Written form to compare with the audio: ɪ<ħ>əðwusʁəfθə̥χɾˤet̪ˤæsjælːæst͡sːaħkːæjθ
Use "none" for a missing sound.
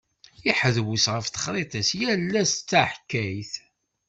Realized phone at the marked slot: ħ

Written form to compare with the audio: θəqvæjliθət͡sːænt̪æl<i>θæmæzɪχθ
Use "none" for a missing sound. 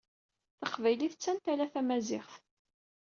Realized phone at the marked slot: æ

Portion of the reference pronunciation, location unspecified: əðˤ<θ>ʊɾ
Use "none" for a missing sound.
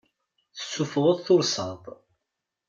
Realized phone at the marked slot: θ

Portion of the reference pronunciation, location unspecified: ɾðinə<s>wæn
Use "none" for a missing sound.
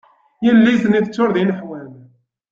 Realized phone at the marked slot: ħ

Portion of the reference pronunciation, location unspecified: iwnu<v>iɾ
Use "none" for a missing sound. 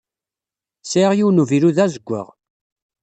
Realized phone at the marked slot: v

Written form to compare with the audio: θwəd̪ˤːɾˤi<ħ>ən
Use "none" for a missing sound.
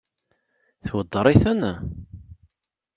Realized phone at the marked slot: θ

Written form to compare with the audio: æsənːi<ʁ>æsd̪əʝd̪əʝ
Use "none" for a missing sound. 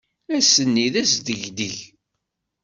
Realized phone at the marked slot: ð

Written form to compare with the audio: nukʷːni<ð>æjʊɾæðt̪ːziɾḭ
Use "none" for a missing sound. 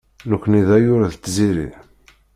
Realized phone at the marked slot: ð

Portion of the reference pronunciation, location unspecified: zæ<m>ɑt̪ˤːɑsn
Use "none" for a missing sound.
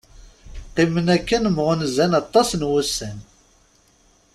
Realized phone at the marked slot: n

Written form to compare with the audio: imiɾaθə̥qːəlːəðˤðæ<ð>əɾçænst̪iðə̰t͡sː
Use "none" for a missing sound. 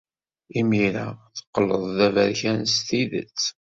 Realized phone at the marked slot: v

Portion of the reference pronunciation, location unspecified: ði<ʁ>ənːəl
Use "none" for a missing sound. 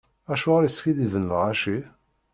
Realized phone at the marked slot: v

